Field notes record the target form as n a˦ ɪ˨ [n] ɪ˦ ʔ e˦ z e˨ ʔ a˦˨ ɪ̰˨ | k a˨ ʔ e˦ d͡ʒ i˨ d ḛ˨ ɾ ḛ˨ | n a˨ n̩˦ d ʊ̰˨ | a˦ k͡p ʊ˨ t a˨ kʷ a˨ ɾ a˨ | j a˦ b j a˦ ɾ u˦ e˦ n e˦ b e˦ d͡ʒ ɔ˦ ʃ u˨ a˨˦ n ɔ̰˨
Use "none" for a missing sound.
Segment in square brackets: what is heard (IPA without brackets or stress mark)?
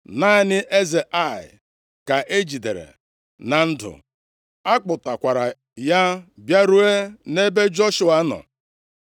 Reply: n